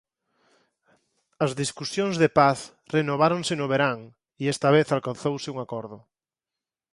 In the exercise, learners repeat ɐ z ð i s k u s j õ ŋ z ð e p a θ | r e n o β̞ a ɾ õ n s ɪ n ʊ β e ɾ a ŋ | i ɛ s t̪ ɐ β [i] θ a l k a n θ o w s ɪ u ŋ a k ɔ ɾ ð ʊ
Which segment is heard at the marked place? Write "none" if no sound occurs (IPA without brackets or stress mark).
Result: e